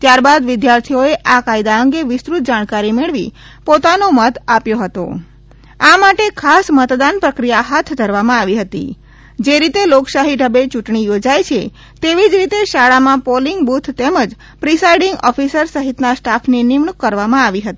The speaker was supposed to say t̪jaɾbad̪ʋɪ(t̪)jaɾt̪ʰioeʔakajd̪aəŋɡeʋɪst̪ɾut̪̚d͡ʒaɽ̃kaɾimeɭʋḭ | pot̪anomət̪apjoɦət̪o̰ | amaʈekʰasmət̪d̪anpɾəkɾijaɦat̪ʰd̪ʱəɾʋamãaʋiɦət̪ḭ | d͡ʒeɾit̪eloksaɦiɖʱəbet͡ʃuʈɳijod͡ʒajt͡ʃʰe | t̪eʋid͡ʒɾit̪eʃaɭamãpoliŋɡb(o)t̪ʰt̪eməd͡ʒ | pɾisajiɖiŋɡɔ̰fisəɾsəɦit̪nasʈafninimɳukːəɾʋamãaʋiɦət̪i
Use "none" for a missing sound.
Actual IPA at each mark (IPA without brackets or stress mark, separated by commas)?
d̪, u